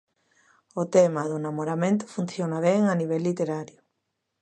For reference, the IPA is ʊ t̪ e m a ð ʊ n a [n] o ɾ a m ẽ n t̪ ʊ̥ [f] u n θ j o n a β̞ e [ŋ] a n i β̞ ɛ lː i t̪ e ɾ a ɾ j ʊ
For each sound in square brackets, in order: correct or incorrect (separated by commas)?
incorrect, correct, correct